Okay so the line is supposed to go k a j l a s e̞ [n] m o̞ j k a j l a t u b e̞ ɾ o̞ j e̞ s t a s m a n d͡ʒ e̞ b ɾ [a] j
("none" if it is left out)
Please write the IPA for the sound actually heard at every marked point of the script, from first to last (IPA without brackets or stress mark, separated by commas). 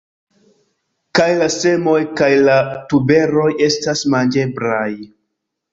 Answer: none, a